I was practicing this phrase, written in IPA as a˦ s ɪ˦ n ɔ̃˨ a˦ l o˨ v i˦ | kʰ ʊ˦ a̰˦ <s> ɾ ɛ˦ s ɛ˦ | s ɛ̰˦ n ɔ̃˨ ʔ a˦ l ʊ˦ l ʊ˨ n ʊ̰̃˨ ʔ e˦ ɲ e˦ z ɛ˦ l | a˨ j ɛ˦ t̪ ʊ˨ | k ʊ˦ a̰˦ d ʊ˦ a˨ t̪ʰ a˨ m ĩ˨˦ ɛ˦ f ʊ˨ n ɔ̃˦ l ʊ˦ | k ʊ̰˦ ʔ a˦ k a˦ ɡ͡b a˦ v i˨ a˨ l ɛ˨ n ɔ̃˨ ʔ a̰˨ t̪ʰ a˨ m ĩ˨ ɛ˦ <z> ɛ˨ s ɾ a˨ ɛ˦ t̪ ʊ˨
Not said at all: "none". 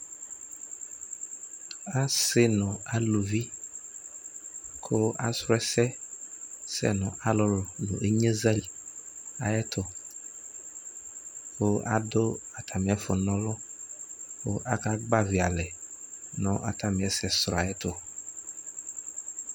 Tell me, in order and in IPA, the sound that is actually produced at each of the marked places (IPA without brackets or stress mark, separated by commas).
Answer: s, s